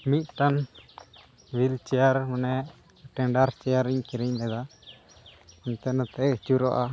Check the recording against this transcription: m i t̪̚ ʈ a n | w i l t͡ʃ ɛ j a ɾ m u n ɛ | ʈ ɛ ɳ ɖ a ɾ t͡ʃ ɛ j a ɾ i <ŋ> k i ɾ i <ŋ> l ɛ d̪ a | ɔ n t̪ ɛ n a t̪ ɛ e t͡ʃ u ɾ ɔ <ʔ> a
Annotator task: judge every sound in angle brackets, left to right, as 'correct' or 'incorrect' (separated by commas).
incorrect, incorrect, correct